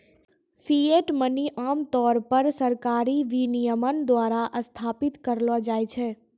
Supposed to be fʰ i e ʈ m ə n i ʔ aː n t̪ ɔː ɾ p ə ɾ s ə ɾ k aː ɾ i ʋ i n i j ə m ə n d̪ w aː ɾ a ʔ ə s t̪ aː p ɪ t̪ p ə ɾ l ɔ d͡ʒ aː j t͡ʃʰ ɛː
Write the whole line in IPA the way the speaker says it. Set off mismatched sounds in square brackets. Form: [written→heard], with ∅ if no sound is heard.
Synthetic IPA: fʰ i e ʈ m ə n i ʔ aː [n→m] t̪ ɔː ɾ p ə ɾ s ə ɾ k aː ɾ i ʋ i n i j ə m ə n d̪ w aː ɾ a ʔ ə s [t̪→t̪ʰ] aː p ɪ t̪ [p→k] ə ɾ l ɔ d͡ʒ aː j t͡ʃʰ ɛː